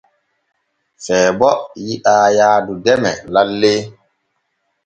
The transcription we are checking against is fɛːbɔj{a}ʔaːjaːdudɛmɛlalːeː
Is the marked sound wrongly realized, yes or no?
yes